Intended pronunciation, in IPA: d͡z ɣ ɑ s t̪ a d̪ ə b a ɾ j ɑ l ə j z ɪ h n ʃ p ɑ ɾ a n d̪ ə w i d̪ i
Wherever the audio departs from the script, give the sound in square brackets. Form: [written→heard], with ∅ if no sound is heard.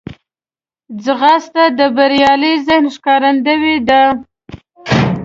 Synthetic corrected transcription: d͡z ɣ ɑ s t̪ a d̪ ə b a ɾ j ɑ l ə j z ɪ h n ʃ [p→k] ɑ ɾ a n d̪ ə w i d̪ [i→a]